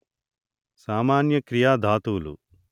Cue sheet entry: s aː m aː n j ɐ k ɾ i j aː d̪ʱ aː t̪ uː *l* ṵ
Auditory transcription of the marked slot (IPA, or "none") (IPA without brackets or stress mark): l